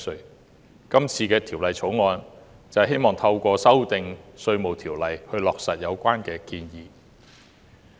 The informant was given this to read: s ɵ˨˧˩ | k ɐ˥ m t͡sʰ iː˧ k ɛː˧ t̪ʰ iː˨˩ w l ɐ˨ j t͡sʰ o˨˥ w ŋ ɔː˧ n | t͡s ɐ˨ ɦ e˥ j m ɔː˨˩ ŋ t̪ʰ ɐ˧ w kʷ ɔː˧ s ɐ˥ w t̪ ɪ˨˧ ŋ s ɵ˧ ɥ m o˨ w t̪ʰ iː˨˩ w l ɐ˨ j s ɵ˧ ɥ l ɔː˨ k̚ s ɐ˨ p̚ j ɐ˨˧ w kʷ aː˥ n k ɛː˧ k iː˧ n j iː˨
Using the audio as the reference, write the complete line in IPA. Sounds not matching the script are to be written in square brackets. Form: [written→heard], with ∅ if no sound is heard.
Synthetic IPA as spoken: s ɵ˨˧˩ | k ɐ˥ m t͡sʰ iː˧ k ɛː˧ t̪ʰ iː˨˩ w l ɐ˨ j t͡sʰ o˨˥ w ŋ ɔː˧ n | t͡s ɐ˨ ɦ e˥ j m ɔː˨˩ ŋ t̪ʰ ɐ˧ w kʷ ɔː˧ s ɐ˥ w t̪ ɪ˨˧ ŋ s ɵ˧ ɥ m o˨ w t̪ʰ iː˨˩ w l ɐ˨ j [s→h] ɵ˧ ɥ l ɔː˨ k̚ s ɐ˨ [p̚→t̚] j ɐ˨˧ w kʷ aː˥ n k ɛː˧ k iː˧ n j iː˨